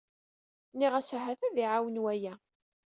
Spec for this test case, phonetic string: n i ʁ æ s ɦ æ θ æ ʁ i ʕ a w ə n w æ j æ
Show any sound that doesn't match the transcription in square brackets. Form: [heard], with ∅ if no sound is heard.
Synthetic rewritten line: n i ʁ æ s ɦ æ θ æ [ð] i ʕ a w ə n w æ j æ